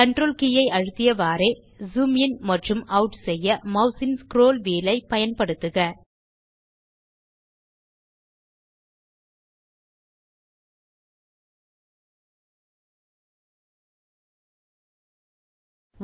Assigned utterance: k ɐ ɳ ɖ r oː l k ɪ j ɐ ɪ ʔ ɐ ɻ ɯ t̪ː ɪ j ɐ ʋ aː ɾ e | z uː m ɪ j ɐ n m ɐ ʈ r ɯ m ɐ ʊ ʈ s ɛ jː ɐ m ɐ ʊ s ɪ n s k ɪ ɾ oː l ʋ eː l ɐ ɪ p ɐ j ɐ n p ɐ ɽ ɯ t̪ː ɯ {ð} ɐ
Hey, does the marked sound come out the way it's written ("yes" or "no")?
no